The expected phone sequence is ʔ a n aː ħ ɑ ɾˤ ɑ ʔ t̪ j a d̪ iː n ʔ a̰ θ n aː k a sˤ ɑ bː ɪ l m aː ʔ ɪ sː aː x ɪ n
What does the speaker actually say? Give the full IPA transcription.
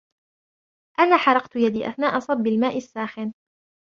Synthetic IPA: ʔ a n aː ħ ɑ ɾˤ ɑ q t̪ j a d̪ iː ʔ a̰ θ n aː ʔ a sˤ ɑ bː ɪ l m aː ʔ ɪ sː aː x ɪ n

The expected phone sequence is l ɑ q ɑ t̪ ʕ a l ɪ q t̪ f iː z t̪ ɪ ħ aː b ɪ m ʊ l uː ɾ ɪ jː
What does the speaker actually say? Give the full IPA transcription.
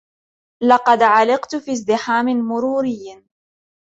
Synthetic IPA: l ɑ q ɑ d̪ ʕ a l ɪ q t̪ f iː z d̪ ɪ ħ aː m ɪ m ʊ ɾ uː ɾ ɪ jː

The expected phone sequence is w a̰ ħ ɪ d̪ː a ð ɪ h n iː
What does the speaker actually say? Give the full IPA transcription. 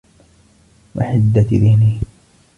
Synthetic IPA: w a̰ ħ ɪ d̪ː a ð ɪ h n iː

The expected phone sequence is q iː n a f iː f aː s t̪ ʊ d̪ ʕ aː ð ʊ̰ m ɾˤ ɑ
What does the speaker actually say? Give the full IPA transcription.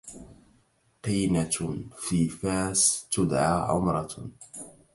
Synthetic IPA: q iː n a f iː f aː s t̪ ʊ d̪ ʕ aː ʕ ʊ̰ m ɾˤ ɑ

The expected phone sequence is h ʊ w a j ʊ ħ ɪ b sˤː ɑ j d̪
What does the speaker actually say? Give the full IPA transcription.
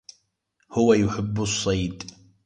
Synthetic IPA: h ʊ w a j ʊ ħ ɪ bː sˤː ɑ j d̪

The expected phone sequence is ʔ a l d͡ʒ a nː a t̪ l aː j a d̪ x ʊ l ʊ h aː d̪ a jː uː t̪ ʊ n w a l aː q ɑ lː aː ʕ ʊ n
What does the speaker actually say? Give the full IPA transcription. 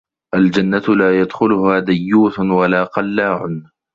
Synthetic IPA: ʔ a l d͡ʒ a nː a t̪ l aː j a d̪ x ʊ l ʊ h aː d̪ a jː uː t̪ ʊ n w a l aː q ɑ lː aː ʕ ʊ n

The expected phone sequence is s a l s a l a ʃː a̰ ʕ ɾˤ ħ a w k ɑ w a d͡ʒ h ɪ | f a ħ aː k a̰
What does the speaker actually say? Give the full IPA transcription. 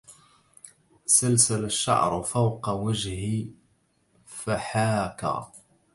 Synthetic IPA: s a l s a l a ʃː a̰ ʕ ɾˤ f a w q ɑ w a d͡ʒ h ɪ | f a ħ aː k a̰

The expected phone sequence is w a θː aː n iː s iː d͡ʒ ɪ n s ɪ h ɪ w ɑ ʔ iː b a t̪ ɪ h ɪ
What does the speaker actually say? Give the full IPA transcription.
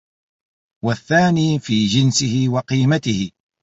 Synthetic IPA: w a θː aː n iː f iː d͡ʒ ɪ n s ɪ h ɪ w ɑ q iː m a t̪ ɪ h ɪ

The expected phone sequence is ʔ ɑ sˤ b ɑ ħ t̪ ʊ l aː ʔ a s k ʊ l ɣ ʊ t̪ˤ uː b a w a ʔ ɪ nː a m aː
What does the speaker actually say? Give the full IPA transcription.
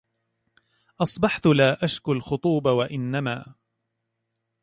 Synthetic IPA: ʔ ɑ sˤ b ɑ ħ t̪ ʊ l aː ʔ a ʃ k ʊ l x ʊ t̪ˤ uː b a w a ʔ ɪ nː a m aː

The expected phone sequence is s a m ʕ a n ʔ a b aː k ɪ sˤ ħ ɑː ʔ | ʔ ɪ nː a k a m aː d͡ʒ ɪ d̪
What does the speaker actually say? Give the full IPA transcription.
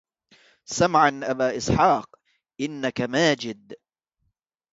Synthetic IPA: s a m ʕ a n ʔ a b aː ʔ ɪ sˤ ħ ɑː q | ʔ ɪ nː a k a m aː d͡ʒ ɪ d̪

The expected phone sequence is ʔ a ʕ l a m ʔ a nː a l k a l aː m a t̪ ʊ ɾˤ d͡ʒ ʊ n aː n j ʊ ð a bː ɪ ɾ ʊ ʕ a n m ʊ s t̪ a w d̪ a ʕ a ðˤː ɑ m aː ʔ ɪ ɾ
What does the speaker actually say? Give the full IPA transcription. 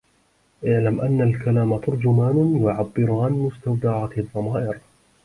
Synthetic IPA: ʔ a ʕ l a m ʔ a nː a l k a l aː m a t̪ ʊ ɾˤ d͡ʒ ʊ m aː n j ʊ ʕ a bː ɪ ɾ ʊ ʕ a n m ʊ s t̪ a w d̪ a ʕ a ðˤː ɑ m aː ʔ ɪ ɾ

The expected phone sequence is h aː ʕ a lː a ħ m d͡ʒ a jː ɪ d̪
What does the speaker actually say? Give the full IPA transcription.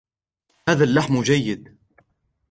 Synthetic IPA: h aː ð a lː a ħ m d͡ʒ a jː ɪ d̪

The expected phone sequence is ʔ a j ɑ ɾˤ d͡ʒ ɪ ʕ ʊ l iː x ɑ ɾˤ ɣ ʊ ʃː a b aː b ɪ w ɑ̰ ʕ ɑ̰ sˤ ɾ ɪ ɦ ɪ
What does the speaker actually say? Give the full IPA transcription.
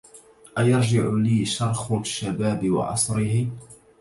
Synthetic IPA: ʔ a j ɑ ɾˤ d͡ʒ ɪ ʕ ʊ l iː ʃ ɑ ɾˤ x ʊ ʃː a b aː b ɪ w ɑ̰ ʕ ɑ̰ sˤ ɾ ɪ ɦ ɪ

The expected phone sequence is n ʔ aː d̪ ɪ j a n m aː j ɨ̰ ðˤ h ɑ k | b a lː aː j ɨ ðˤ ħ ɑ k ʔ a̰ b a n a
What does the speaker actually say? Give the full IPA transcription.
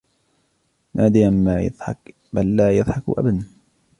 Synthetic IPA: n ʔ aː d̪ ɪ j a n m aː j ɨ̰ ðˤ ħ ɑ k | b a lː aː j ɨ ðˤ ħ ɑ k ʔ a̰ b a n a

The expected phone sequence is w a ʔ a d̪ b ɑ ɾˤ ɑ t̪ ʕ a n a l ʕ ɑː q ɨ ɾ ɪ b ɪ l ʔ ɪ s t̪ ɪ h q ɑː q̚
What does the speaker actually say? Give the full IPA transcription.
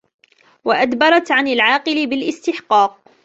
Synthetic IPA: w a ʔ a d̪ b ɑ ɾˤ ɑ t̪ ʕ a n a l ʕ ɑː q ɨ l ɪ b ɪ l ʔ ɪ s t̪ ɪ ħ q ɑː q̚

